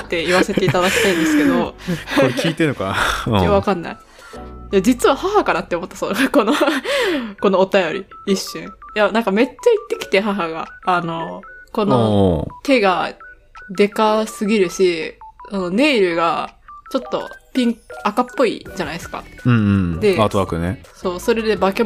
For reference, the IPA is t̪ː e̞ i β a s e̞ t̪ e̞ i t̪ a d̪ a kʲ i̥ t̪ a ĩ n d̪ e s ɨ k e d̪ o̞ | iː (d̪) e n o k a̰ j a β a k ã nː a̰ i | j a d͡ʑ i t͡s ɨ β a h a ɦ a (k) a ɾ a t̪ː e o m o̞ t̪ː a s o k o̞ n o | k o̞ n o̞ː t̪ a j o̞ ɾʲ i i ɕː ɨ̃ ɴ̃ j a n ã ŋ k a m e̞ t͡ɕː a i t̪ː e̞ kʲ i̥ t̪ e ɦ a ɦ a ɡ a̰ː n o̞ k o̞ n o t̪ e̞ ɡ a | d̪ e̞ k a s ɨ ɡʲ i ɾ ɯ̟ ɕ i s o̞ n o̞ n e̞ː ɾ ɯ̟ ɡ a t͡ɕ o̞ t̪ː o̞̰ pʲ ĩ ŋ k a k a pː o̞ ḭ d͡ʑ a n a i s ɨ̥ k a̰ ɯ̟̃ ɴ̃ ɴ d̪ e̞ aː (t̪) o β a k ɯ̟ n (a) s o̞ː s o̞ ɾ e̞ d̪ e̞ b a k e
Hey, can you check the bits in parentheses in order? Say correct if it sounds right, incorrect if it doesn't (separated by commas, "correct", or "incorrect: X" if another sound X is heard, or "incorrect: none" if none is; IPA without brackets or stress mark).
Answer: incorrect: t̪, correct, correct, incorrect: e